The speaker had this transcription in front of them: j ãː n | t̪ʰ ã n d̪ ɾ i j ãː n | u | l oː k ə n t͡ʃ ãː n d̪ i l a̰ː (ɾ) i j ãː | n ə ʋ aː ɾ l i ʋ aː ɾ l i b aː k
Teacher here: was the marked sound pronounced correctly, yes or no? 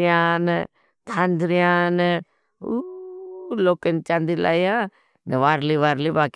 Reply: no